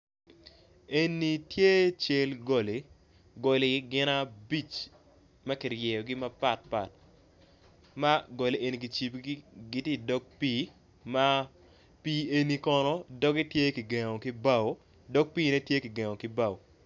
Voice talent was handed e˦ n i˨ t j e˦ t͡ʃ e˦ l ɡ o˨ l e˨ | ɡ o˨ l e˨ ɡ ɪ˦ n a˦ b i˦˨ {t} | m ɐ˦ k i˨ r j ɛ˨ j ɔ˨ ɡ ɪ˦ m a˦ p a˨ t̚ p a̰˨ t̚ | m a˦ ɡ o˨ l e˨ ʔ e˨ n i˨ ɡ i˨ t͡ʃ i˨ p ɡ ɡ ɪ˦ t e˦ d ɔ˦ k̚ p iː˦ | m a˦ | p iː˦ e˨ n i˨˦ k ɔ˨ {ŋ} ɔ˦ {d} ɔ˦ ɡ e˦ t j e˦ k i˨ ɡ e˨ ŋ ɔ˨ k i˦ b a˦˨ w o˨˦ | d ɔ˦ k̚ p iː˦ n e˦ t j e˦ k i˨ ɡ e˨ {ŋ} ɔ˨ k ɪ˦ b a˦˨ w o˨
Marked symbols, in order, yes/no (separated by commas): no, no, yes, yes